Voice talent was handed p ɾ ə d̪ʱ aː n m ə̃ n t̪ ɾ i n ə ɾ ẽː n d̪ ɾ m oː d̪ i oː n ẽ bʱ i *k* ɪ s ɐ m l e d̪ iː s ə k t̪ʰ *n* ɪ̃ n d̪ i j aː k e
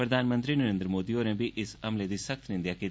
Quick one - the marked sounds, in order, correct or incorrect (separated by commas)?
incorrect, correct